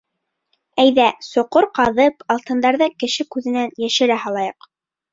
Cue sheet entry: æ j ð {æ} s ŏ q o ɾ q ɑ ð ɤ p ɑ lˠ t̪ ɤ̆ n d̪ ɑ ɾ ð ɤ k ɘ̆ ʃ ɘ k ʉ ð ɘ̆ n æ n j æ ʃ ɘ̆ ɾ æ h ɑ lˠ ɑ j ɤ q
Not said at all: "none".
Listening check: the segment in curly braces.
æ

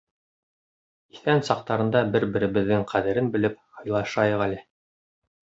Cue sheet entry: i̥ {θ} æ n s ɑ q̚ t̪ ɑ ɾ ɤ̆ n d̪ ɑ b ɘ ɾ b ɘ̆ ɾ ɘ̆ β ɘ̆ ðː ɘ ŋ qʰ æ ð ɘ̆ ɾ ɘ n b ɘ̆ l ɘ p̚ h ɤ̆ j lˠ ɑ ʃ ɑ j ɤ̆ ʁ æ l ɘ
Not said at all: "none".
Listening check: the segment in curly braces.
θ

